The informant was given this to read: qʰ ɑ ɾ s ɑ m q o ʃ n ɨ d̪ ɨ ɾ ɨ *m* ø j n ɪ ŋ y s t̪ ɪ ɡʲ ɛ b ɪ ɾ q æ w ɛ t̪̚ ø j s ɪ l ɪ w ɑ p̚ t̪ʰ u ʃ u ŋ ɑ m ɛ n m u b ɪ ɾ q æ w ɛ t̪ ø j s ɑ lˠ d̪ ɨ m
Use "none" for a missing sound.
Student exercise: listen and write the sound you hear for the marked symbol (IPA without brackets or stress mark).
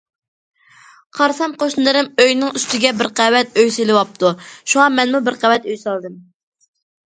m